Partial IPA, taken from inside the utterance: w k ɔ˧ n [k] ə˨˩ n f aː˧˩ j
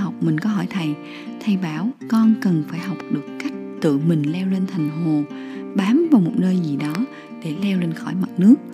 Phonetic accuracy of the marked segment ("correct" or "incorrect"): correct